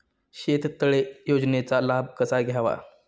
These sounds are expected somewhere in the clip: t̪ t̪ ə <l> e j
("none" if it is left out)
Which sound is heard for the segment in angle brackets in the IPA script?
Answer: ɭ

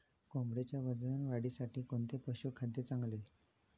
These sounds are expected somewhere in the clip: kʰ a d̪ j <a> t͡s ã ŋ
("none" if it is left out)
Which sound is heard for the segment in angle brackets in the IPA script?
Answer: e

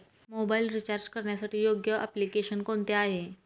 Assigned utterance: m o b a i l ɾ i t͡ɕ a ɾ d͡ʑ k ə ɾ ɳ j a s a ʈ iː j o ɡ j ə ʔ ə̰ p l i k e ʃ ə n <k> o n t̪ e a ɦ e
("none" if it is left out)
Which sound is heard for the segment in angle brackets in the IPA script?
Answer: k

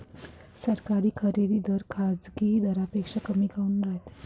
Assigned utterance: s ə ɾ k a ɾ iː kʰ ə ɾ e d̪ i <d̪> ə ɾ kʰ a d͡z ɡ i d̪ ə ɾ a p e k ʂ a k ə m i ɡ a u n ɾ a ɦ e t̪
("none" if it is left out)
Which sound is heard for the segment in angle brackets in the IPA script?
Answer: d̪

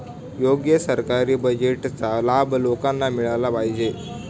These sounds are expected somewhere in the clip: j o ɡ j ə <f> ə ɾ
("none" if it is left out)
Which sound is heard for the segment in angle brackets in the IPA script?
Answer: s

